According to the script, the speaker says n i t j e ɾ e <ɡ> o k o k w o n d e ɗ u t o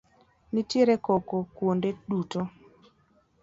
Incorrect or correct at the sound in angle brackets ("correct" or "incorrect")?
incorrect